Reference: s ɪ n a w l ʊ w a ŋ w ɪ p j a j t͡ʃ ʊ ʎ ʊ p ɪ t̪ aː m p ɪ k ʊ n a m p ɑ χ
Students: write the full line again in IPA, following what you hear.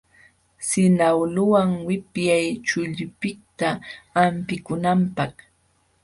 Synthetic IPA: s ɪ n a w l ʊ w a ŋ w ɪ p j a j t͡ʃ ʊ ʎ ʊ p ɪ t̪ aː m p ɪ k ʊ n a m p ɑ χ